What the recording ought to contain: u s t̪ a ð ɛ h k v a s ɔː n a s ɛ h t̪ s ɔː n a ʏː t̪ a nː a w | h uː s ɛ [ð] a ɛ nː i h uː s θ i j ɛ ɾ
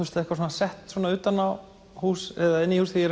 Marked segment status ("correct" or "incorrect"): correct